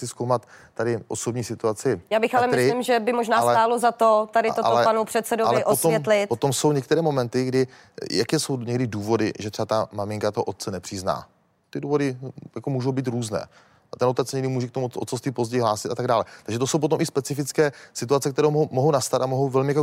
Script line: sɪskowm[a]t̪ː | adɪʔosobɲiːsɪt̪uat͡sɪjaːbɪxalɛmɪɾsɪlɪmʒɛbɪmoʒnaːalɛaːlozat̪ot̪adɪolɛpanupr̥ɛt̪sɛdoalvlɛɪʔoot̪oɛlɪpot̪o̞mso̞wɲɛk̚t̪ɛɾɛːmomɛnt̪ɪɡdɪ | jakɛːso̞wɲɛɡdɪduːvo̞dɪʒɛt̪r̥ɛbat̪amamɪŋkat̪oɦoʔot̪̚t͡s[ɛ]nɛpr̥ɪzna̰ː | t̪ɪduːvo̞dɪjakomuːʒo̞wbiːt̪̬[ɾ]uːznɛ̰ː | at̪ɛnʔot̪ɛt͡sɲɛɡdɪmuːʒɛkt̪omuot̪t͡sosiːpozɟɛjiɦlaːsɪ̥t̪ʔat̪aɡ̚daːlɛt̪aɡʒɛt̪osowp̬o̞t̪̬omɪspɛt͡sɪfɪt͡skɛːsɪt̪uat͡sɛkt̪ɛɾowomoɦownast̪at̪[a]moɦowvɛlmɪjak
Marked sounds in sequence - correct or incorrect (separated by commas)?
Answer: correct, correct, correct, correct